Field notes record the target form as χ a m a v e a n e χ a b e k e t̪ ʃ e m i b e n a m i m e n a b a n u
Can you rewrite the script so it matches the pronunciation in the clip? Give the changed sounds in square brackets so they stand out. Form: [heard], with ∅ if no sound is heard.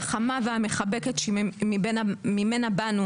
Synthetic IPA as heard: χ a m a v e a [m] e χ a b e k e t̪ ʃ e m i b e n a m i m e n a b a n u